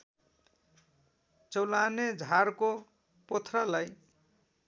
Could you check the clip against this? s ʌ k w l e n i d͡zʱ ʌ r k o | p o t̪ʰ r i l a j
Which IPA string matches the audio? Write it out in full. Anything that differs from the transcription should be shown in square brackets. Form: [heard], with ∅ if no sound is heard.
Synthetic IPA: [t͡s] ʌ [∅] w l [a] n [e] d͡zʱ [a] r k o | p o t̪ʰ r [a] l a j